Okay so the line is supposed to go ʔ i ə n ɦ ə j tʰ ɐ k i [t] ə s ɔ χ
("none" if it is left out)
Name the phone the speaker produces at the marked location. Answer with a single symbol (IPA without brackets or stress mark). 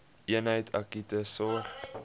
t